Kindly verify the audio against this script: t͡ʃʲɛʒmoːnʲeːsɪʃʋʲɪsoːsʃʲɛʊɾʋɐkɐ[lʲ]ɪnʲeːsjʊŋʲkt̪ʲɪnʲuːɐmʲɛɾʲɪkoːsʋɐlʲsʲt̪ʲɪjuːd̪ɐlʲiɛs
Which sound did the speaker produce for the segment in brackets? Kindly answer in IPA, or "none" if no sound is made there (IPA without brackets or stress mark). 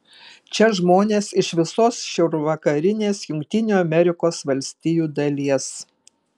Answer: ɾʲ